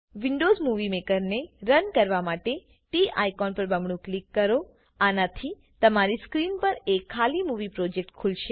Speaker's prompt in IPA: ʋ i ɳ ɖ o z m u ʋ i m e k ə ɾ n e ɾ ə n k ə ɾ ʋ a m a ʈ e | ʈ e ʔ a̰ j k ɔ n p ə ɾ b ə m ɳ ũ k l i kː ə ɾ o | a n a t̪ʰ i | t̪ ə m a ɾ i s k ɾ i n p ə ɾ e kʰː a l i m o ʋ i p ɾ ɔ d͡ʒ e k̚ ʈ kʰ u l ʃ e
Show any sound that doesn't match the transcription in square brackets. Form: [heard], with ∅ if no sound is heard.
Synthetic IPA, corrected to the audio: ʋ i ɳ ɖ o z m u ʋ i m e k ə ɾ n e ɾ ə n k ə ɾ ʋ a m a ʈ e | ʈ [i] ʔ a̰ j k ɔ n p ə ɾ b ə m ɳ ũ k l i kː ə ɾ o | a n a t̪ʰ i | t̪ ə m a ɾ i s k ɾ i n p ə ɾ e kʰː a l i m [u] ʋ i p ɾ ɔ d͡ʒ e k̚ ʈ kʰ u l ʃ e